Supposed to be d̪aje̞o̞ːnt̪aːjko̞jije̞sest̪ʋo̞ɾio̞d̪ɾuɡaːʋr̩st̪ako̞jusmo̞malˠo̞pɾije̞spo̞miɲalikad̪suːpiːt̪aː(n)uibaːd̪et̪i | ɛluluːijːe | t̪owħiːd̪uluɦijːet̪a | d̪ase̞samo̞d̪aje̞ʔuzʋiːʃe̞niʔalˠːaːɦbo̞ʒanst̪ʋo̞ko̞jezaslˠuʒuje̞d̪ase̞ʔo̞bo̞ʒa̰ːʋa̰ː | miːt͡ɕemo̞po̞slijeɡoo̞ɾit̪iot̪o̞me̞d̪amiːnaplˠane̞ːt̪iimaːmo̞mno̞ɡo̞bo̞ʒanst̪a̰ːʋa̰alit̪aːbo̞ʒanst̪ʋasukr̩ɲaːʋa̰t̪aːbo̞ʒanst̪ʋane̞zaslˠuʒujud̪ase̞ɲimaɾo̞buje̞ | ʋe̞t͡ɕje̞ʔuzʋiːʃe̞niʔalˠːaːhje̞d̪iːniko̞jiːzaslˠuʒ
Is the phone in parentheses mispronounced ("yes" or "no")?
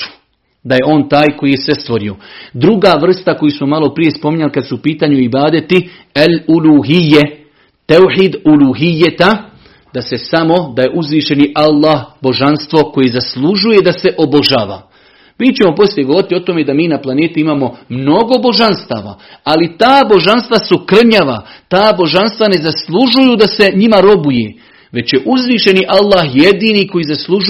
yes